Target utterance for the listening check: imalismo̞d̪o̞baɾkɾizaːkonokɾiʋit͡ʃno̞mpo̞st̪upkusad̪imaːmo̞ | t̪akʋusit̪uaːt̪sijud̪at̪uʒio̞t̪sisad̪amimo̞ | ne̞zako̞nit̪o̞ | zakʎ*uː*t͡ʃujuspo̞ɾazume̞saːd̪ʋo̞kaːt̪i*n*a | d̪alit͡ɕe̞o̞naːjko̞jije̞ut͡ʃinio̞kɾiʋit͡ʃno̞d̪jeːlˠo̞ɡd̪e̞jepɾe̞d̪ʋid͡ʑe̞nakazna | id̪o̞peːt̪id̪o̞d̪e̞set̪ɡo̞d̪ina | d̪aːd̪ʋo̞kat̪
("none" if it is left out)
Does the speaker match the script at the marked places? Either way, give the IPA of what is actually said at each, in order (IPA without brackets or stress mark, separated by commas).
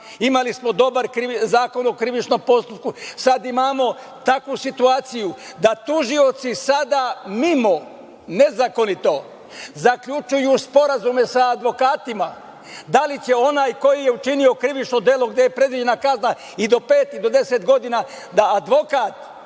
u, m